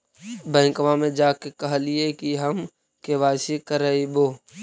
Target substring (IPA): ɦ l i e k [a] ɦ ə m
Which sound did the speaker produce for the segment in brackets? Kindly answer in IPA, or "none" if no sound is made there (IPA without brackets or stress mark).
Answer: i